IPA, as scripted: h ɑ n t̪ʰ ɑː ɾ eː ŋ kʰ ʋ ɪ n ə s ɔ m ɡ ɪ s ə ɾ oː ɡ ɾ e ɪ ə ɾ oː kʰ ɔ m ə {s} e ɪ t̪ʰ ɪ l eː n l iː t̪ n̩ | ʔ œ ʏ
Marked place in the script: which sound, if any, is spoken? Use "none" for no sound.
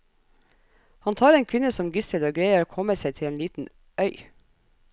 s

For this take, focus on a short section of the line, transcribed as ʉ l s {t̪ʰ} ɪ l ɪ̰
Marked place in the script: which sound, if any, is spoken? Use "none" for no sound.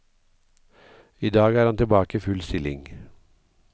t̪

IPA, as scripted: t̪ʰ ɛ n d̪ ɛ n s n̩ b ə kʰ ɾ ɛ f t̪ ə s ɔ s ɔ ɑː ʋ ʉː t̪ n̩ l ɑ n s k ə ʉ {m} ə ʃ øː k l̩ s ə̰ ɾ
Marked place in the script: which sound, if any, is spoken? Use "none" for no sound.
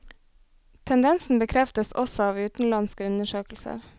n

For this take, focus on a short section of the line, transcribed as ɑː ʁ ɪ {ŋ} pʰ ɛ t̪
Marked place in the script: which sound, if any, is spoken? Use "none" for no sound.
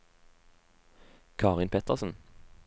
n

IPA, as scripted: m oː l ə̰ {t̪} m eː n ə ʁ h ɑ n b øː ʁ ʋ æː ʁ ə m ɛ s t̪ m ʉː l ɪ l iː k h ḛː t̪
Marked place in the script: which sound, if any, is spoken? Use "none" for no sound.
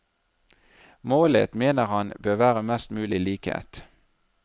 t̪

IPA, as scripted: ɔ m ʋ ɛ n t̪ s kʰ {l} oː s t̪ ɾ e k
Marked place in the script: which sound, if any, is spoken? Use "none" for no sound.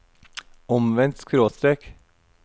ɾ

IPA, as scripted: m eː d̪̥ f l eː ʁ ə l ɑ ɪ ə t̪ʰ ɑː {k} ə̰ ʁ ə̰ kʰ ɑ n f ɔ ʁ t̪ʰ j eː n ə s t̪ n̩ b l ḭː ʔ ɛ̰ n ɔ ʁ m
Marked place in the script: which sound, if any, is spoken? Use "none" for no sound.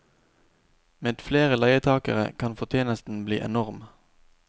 k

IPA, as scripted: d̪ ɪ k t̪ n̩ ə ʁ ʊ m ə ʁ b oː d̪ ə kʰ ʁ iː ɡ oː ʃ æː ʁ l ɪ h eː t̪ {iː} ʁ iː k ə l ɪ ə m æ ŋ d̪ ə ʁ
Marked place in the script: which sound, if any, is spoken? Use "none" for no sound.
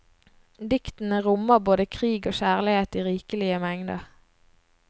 iː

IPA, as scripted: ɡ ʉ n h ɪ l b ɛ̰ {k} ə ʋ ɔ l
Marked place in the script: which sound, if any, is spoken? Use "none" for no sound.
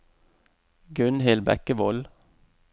k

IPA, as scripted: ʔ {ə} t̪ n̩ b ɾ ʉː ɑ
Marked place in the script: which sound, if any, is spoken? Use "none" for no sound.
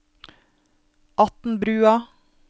ɑ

